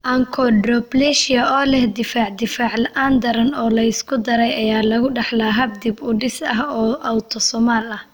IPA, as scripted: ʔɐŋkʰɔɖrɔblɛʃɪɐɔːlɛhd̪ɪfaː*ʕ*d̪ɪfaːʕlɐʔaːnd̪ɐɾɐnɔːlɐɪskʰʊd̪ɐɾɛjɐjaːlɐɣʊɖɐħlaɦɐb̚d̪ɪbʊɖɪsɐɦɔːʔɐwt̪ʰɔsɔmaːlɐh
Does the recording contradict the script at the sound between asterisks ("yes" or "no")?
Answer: no